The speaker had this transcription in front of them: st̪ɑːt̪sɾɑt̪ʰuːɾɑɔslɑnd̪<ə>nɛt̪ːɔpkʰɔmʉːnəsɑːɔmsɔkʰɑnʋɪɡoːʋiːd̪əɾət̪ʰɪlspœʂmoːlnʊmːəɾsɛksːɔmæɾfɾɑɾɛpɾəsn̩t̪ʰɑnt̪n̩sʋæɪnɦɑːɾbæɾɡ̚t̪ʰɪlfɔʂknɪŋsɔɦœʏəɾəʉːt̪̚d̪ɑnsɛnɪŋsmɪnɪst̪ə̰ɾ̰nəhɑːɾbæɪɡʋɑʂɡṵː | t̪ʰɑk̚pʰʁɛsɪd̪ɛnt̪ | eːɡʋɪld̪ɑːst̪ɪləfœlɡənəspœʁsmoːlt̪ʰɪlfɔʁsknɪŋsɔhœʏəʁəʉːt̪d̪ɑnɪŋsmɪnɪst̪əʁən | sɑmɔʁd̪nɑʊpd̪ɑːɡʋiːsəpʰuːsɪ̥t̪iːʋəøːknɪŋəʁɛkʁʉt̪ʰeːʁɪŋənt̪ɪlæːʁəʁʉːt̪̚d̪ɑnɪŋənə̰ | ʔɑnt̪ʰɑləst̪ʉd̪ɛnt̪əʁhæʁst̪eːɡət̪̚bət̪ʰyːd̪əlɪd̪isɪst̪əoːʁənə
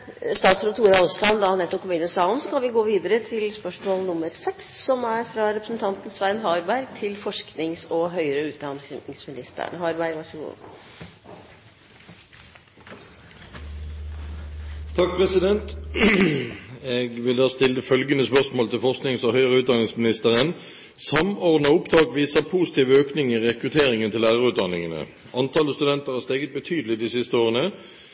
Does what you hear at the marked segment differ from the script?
yes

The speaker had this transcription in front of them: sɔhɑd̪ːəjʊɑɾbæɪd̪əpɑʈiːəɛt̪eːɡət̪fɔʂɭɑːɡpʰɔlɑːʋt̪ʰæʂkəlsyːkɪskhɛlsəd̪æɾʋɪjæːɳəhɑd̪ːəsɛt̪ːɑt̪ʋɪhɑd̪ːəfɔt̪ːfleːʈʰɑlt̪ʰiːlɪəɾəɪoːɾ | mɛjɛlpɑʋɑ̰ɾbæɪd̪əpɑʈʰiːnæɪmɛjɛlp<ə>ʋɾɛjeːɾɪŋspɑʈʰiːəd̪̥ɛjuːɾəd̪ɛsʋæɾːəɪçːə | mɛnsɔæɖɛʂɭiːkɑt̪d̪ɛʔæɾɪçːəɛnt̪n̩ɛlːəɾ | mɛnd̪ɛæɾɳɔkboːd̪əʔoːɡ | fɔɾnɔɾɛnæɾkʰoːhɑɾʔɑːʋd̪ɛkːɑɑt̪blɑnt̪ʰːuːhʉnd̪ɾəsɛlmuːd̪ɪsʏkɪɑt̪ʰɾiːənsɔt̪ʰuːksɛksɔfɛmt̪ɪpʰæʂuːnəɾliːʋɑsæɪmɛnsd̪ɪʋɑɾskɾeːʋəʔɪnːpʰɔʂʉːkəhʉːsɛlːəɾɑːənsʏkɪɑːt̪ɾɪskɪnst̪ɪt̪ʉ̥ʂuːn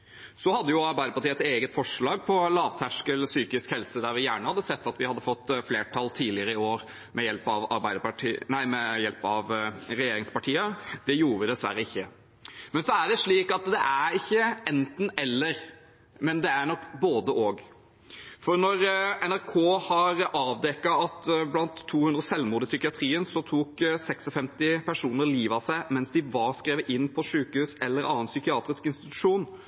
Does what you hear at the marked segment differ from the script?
yes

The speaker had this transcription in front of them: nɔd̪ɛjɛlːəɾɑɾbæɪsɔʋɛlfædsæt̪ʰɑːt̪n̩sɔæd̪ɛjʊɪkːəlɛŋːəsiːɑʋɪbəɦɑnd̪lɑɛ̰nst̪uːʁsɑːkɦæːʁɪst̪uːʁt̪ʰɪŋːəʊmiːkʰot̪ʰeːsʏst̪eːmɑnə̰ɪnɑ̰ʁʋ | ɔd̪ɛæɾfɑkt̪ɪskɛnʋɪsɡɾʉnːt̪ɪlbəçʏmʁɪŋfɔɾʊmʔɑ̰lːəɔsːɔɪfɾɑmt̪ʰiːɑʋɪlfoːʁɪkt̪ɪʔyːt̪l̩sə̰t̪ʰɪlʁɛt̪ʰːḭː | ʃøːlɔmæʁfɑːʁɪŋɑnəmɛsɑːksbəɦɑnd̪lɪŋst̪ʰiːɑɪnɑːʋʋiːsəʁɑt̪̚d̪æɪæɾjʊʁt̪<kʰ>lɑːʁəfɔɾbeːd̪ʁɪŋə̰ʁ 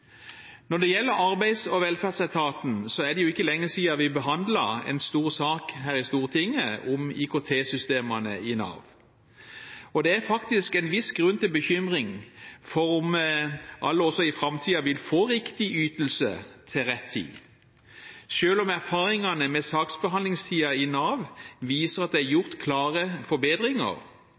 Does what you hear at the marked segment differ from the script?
no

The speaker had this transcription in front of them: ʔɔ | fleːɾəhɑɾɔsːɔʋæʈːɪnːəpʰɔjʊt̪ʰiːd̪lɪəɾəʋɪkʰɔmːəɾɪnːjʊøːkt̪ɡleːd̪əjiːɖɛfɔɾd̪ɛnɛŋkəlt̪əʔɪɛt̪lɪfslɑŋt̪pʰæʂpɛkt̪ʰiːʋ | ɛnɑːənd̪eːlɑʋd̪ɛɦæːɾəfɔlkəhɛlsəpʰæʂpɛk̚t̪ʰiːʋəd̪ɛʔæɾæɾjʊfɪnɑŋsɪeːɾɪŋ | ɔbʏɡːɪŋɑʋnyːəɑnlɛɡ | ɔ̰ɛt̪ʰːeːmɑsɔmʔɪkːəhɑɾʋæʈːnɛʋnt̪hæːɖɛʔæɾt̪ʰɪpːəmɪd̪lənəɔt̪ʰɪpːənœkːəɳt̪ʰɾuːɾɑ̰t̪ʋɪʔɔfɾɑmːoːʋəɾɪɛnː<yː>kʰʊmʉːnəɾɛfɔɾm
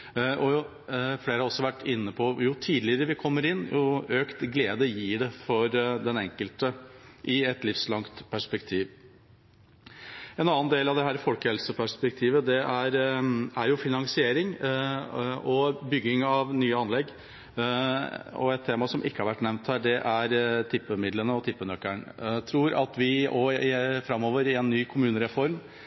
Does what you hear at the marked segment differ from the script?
no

